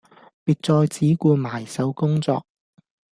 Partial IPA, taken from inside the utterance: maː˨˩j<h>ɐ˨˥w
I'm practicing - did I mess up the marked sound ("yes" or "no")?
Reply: yes